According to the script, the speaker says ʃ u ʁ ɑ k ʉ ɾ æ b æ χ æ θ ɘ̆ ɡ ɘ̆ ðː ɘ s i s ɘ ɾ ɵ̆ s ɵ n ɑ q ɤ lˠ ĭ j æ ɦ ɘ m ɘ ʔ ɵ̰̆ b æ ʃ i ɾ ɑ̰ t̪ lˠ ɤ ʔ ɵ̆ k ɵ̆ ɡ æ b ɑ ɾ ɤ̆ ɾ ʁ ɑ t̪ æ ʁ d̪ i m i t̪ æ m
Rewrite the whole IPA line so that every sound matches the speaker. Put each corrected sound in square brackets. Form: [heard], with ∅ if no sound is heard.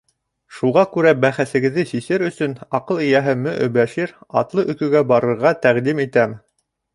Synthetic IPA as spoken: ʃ u ʁ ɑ k ʉ ɾ æ b æ χ æ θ ɘ̆ ɡ ɘ̆ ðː ɘ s i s ɘ ɾ ɵ̆ s ɵ n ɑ q ɤ lˠ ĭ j æ ɦ ɘ m ɘ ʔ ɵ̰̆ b æ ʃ i ɾ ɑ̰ t̪ lˠ ɤ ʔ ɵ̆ k ɵ̆ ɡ æ b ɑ ɾ ɤ̆ ɾ ʁ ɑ t̪ æ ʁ d̪ i m i t̪ æ m

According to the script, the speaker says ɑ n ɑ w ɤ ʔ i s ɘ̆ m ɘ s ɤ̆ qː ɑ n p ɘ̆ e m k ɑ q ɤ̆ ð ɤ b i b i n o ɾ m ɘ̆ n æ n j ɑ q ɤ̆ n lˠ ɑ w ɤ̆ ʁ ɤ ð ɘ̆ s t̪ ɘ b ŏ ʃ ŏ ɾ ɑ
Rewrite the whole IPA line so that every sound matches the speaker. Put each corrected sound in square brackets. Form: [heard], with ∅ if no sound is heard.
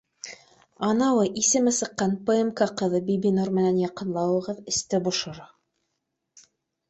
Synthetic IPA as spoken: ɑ n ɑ w ɤ ʔ i s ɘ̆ m ɘ s ɤ̆ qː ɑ n p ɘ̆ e m k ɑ q ɤ̆ ð ɤ b i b i n o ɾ m ɘ̆ n æ n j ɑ q ɤ̆ n lˠ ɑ w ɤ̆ ʁ ɤ ð ɘ̆ s t̪ ɘ b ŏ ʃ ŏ ɾ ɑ

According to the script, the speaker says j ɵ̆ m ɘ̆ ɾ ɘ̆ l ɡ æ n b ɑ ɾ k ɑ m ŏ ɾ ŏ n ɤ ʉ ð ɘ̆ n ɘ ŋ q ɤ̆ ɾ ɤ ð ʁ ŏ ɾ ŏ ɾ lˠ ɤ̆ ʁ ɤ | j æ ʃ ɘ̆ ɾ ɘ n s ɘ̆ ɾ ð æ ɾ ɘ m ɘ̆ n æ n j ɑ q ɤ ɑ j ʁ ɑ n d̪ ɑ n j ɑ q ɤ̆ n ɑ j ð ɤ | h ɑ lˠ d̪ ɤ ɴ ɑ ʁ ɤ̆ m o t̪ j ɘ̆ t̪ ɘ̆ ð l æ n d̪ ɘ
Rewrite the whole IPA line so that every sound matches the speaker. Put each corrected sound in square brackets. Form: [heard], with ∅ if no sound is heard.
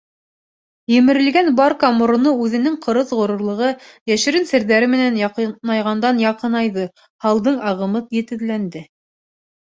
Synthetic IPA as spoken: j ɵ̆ m ɘ̆ ɾ ɘ̆ l ɡ æ n b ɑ ɾ k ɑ m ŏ ɾ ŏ n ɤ ʉ ð ɘ̆ n ɘ ŋ q ɤ̆ ɾ ɤ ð ʁ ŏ ɾ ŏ ɾ lˠ ɤ̆ ʁ ɤ | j æ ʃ ɘ̆ ɾ ɘ n s ɘ̆ ɾ ð æ ɾ ɘ m ɘ̆ n æ n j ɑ q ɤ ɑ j ʁ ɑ n d̪ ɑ n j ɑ q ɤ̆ n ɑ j ð ɤ | h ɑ lˠ d̪ ɤ ɴ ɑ ʁ ɤ̆ m [ɤ] t̪ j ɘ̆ t̪ ɘ̆ ð l æ n d̪ ɘ

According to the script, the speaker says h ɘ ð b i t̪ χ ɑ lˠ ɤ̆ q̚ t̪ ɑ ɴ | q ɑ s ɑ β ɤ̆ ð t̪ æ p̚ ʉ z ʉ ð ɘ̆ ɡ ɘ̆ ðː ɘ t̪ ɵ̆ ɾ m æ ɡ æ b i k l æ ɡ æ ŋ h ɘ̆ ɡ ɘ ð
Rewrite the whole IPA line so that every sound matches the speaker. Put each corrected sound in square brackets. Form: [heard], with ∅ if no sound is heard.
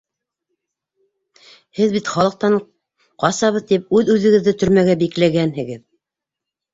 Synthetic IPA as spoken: h ɘ ð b i t̪ χ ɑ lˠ ɤ̆ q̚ t̪ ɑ ɴ | q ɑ s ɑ β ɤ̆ ð t̪ [i] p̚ ʉ [ð] ʉ ð ɘ̆ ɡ ɘ̆ ðː ɘ t̪ ɵ̆ ɾ m æ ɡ æ b i k l æ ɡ æ [n] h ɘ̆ ɡ ɘ ð

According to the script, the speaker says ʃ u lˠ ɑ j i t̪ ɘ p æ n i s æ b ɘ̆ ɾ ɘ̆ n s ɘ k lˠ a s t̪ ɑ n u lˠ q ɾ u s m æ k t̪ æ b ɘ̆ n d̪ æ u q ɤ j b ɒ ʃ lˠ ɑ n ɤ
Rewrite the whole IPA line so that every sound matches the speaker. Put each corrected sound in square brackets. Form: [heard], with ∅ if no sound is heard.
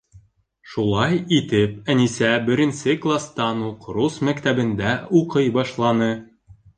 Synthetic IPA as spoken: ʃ u lˠ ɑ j i t̪ ɘ p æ n i s æ b ɘ̆ ɾ ɘ̆ n s ɘ k lˠ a s t̪ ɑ n u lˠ q ɾ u s m æ k t̪ æ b ɘ̆ n d̪ æ u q ɤ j b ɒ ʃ lˠ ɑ n ɤ

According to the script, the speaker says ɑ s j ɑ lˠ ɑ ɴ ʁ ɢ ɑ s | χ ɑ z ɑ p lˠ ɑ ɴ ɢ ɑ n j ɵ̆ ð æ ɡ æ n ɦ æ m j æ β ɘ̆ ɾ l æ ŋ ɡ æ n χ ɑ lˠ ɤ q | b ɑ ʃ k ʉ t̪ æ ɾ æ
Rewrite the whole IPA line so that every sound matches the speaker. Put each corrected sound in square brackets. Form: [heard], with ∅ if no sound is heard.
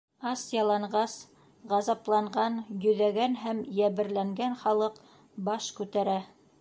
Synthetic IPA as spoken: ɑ s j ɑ lˠ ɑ ɴ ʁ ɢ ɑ s | [ʁ] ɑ z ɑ p lˠ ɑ ɴ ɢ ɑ n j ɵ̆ ð æ ɡ æ n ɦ æ m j æ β ɘ̆ ɾ l æ ŋ ɡ æ n χ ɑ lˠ ɤ q | b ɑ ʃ k ʉ t̪ æ ɾ æ

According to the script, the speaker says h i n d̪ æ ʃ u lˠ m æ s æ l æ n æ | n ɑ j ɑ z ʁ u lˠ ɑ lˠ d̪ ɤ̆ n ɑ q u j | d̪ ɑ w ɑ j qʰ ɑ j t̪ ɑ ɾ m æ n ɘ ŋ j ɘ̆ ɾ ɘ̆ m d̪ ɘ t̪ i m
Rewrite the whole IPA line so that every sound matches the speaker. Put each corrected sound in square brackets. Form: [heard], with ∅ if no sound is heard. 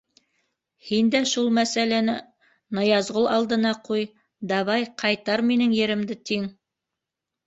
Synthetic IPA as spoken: h i n d̪ æ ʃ u lˠ m æ s æ l æ n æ | n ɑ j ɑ z ʁ [o] lˠ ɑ lˠ d̪ ɤ̆ n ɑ q u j | d̪ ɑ [β] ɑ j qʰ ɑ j t̪ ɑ ɾ m [i] n ɘ ŋ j ɘ̆ ɾ ɘ̆ m d̪ ɘ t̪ i [ŋ]

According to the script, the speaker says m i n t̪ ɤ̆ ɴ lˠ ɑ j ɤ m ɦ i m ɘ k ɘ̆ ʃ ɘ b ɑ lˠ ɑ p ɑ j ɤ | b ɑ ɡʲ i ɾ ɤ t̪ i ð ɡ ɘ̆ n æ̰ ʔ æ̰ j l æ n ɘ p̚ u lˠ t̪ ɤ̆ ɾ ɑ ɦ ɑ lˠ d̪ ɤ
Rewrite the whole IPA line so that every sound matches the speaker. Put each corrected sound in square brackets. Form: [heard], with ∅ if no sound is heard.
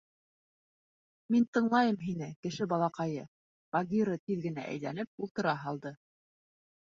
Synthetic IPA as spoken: m i n t̪ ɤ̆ ɴ lˠ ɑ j ɤ m ɦ i [n] ɘ k ɘ̆ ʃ ɘ b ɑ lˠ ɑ [q] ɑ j ɤ | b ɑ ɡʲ i ɾ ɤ t̪ i ð ɡ ɘ̆ n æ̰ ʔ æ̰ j l æ n ɘ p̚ u lˠ t̪ ɤ̆ ɾ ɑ ɦ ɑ lˠ d̪ ɤ

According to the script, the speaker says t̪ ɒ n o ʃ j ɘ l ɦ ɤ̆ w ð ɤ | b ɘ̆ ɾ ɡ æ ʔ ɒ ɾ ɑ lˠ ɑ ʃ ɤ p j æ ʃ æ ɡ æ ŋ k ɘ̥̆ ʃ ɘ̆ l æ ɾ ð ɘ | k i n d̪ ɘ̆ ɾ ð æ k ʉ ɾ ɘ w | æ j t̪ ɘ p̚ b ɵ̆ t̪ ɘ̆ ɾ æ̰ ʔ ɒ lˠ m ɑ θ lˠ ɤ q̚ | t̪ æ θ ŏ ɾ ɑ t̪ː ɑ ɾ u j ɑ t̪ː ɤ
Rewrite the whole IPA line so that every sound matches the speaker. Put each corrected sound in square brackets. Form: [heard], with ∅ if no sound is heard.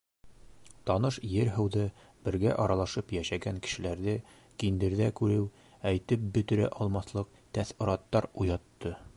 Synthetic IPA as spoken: t̪ ɒ n [ɤ] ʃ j ɘ [ɾ] ɦ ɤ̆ w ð ɤ | b ɘ̆ ɾ ɡ æ ʔ ɒ ɾ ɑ lˠ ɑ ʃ ɤ p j æ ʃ æ ɡ æ ŋ k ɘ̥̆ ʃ ɘ̆ l æ ɾ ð ɘ | k i n d̪ ɘ̆ ɾ ð æ k ʉ ɾ ɘ w | æ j t̪ ɘ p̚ b ɵ̆ t̪ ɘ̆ ɾ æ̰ ʔ ɒ lˠ m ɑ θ lˠ ɤ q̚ | t̪ æ θ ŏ ɾ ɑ t̪ː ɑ ɾ u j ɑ t̪ː ɤ

